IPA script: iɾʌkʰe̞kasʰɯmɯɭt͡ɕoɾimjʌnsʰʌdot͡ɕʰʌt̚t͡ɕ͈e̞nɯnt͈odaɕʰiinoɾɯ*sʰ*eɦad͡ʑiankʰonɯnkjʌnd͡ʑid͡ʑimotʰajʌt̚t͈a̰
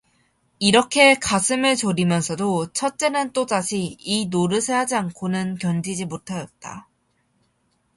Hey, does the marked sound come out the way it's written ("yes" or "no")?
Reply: yes